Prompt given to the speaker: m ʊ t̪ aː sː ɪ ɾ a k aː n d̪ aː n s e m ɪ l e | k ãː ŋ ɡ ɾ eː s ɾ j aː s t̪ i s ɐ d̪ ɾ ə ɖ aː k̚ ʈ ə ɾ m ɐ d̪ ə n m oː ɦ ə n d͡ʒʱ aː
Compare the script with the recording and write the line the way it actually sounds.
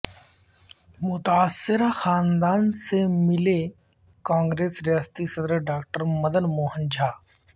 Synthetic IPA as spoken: m ʊ t̪ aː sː ɪ ɾ a x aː n d̪ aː n s e m ɪ l e | k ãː ŋ ɡ ɾ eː s ɾ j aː s t̪ i s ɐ d̪ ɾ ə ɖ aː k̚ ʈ ə ɾ m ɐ d̪ ə n m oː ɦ ə n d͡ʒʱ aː